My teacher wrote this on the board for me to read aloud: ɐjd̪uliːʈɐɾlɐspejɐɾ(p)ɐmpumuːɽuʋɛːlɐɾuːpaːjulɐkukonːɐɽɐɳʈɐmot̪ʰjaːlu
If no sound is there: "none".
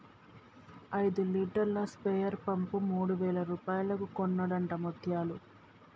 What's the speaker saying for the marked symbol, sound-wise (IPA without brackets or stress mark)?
p